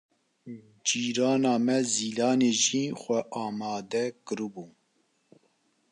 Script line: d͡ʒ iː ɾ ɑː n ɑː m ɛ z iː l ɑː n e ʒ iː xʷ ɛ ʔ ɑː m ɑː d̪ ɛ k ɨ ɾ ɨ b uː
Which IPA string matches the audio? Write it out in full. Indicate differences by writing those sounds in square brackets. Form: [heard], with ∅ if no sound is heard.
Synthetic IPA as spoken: d͡ʒ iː ɾ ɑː n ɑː m ɛ z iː l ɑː n e ʒ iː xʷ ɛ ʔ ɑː m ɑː d̪ ɛ k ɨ ɾ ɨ b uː

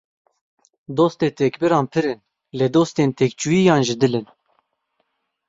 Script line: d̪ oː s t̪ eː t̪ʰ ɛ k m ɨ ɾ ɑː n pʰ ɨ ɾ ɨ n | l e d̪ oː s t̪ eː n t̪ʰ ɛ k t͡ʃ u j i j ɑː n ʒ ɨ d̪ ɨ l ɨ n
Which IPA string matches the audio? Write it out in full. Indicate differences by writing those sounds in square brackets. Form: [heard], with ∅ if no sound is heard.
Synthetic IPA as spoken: d̪ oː s t̪ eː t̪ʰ ɛ k [b] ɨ ɾ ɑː n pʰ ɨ ɾ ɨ n | l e d̪ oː s t̪ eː n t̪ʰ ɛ k t͡ʃ u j i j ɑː n ʒ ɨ d̪ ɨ l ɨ n

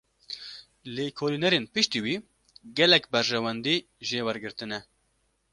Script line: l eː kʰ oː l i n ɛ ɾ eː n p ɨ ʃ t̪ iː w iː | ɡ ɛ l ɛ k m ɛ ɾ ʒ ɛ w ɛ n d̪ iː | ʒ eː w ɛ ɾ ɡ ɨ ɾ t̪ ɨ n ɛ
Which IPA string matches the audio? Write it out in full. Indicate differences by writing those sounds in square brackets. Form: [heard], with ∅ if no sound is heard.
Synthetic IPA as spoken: l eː kʰ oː l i n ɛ ɾ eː n p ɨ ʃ t̪ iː w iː | ɡ ɛ l ɛ k [b] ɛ ɾ ʒ ɛ w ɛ n d̪ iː | ʒ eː w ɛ ɾ ɡ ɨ ɾ t̪ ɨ n ɛ

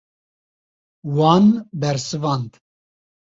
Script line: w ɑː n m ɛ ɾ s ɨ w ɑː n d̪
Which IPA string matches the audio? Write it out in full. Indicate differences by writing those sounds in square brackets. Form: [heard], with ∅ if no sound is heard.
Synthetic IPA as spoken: w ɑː n [b] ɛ ɾ s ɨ [v] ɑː n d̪

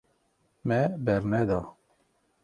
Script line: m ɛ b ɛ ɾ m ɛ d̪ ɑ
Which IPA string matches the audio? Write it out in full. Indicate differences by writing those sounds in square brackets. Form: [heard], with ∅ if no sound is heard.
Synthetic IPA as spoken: m ɛ b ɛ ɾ [n] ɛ d̪ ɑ

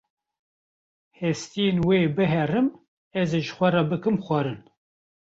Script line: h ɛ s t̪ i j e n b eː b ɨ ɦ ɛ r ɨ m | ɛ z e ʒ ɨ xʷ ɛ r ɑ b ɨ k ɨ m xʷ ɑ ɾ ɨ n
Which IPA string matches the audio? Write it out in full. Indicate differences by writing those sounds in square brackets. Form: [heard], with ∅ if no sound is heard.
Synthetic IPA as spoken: h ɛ s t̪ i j e n [w] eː b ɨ ɦ ɛ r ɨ m | ɛ z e ʒ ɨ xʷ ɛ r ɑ b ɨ k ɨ m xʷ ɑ ɾ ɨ n

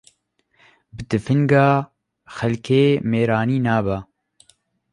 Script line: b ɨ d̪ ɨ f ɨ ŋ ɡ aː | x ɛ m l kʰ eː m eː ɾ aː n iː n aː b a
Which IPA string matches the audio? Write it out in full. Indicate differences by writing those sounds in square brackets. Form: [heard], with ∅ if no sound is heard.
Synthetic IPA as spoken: b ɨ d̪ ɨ f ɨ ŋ ɡ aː | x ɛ [∅] l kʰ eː m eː ɾ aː n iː n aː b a

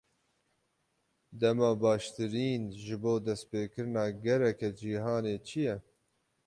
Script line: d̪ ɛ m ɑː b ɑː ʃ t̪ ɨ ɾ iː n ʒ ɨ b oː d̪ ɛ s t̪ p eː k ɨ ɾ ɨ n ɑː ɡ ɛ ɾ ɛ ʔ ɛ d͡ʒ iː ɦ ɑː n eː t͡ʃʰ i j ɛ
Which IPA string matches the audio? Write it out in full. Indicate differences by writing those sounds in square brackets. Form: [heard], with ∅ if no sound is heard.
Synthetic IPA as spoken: d̪ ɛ m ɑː b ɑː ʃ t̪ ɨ ɾ iː n ʒ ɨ b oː d̪ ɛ s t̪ p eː k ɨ ɾ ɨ n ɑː ɡ ɛ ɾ ɛ [k] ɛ d͡ʒ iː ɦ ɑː n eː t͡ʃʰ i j ɛ

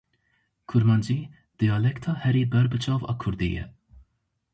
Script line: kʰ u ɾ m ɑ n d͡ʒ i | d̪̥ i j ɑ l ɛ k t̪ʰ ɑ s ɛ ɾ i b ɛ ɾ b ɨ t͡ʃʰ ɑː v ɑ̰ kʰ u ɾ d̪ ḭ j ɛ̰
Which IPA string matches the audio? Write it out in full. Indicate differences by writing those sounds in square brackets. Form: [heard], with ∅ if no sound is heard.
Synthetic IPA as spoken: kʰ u ɾ m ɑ n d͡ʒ i | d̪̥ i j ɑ l ɛ k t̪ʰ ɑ [h] ɛ ɾ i b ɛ ɾ b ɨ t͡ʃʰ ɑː v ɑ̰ kʰ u ɾ d̪ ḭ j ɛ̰

